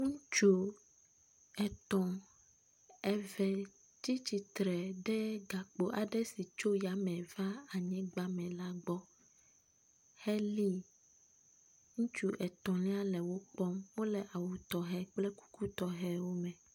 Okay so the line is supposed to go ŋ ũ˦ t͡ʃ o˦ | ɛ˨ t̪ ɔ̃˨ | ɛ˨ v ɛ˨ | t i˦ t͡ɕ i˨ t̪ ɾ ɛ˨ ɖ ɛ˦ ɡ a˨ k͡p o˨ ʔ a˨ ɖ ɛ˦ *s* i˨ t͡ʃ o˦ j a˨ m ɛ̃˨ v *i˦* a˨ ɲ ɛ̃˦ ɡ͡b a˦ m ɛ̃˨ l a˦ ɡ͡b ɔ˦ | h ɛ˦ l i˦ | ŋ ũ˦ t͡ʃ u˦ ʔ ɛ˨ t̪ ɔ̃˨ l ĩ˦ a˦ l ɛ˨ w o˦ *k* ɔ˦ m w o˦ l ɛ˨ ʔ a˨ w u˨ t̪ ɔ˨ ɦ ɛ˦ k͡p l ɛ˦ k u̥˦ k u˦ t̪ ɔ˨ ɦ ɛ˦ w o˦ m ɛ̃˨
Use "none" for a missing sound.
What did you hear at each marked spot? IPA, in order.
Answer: s, a˦, k͡p

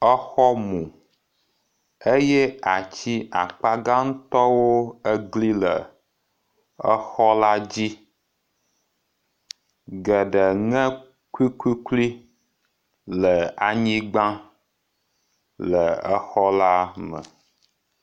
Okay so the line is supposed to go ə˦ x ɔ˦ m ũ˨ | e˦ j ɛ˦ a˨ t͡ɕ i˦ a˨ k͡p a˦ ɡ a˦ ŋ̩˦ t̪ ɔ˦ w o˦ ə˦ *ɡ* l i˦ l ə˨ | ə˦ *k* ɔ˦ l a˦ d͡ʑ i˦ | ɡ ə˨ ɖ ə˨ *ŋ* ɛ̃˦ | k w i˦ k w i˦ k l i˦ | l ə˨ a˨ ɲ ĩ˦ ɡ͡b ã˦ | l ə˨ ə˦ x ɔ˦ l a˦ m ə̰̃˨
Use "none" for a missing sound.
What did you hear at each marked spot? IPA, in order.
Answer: ɡ, x, ŋ

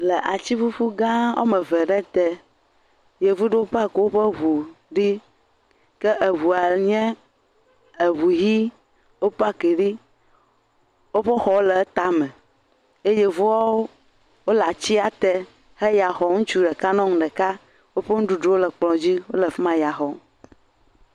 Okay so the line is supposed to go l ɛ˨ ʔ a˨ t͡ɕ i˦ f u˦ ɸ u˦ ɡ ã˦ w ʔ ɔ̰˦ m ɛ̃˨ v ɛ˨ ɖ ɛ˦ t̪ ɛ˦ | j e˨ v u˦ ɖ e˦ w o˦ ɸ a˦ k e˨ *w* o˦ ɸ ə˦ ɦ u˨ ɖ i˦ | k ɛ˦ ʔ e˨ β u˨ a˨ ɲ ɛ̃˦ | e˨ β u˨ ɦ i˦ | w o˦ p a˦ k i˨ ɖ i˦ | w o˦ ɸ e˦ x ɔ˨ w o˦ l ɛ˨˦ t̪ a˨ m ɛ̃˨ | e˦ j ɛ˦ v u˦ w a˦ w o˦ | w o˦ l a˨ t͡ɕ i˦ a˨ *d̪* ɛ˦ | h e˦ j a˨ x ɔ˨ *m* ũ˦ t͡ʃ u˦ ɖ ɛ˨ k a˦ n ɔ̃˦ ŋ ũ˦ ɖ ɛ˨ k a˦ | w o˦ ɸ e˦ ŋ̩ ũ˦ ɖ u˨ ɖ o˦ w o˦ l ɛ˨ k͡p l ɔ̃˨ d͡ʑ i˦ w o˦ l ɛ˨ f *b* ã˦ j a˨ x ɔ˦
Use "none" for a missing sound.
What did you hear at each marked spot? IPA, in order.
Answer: w, t̪, ŋ, m

